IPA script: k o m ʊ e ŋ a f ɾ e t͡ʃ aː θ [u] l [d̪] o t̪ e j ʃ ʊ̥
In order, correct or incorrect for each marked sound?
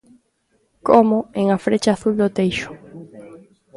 correct, correct

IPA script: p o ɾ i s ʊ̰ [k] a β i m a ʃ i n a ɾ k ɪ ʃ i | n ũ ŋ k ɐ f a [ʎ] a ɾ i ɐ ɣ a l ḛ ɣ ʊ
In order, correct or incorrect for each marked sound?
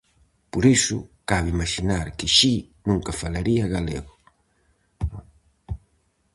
correct, incorrect

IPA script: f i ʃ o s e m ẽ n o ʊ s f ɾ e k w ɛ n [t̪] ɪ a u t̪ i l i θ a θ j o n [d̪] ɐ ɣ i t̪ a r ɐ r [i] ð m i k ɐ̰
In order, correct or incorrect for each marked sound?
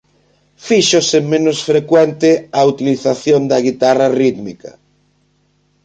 correct, correct, correct

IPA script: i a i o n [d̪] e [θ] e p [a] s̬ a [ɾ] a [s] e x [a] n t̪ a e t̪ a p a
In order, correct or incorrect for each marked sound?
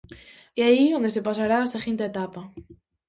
correct, incorrect, correct, correct, correct, incorrect

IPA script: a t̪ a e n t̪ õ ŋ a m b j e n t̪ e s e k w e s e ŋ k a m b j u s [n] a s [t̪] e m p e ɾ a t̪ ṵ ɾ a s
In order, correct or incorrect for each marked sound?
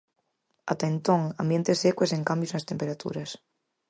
correct, correct

